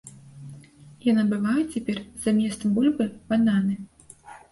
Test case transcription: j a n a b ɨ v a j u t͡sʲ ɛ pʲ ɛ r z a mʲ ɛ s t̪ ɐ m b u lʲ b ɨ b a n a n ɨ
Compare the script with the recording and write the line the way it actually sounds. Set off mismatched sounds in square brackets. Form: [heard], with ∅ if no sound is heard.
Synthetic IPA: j a n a b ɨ v a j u t͡sʲ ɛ pʲ ɛ r z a mʲ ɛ s t̪ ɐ m b u lʲ b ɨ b a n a n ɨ